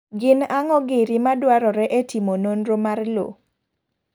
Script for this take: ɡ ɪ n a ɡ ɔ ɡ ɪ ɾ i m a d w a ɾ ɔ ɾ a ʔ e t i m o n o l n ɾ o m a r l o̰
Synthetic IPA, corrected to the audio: ɡ ɪ n a ŋ ɔ ɡ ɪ ɾ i m a d w a ɾ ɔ ɾ ɛ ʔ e t i m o n o n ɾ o m a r l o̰